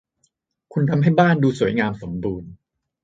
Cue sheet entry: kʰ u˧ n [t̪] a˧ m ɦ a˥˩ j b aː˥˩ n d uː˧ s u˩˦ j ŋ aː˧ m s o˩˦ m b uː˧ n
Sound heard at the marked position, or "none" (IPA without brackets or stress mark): t̪ʰ